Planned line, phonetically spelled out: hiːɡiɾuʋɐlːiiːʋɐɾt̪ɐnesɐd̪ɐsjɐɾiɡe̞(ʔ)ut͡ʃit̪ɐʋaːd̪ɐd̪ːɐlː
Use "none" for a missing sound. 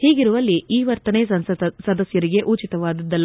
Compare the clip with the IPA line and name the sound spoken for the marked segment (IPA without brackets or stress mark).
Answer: ʔ